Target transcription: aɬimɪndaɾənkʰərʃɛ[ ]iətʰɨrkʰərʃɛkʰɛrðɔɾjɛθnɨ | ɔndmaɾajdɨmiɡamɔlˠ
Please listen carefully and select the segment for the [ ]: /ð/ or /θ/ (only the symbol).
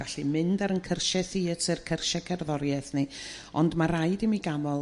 θ